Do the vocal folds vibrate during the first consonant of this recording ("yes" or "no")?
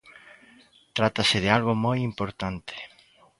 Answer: no